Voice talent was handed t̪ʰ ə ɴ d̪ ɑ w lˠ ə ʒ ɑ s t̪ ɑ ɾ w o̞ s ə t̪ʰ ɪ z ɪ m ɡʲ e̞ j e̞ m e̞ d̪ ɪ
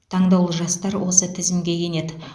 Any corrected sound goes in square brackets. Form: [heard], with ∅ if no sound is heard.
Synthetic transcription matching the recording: t̪ʰ [ɑ] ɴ d̪ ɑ w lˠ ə ʒ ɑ s t̪ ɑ ɾ w o̞ s ə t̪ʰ ɪ z ɪ m ɡʲ e̞ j e̞ [n] e̞ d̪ ɪ